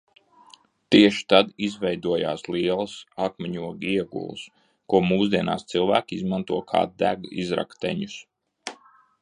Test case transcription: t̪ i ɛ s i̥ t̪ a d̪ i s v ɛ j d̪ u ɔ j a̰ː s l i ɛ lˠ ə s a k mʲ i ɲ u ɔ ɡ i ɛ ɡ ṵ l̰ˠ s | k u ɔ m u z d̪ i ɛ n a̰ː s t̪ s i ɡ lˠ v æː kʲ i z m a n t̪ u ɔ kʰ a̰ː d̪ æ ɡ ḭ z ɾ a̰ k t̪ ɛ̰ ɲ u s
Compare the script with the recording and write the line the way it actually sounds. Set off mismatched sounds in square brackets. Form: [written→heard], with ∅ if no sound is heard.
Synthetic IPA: t̪ i ɛ [s→ʃ] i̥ t̪ a d̪ i [s→z] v ɛ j d̪ u ɔ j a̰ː s l i ɛ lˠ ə s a k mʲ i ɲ u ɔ ɡ i ɛ ɡ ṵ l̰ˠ s | k u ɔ m [u→uː] z d̪ i ɛ n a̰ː s t̪ s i [ɡ→∅] lˠ v æː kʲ i z m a n t̪ u ɔ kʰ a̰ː d̪ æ ɡ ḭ z ɾ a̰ k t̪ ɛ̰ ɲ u s